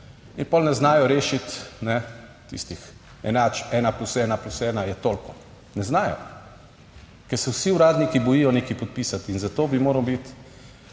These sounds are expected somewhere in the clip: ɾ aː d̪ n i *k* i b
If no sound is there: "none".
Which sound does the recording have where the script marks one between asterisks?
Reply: k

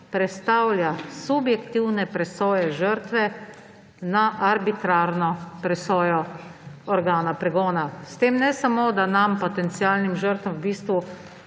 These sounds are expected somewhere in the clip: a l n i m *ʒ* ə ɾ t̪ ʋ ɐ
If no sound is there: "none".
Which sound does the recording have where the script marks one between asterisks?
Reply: ʒ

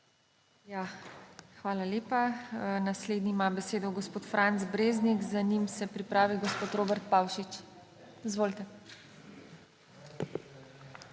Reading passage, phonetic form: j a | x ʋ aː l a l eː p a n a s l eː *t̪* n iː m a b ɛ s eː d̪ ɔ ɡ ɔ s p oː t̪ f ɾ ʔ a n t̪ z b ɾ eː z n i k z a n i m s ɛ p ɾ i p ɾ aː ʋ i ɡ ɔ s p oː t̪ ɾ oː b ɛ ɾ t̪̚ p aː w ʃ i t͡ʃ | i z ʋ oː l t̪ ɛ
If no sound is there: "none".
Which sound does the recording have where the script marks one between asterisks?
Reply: d̪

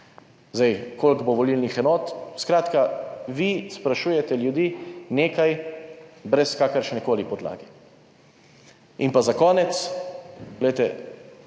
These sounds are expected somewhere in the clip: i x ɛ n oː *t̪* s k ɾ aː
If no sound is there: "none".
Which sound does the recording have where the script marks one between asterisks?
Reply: t̪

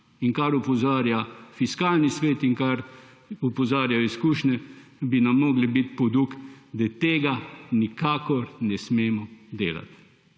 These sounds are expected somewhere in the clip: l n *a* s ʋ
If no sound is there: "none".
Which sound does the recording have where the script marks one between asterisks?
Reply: i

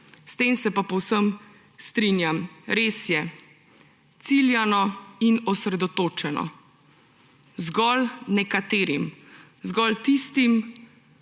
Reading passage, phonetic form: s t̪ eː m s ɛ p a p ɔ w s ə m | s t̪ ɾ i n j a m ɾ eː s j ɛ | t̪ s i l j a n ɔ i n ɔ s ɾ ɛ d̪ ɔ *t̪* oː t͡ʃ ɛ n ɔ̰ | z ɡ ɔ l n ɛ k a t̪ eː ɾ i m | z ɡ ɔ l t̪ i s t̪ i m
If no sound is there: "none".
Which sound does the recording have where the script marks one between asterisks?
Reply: t̪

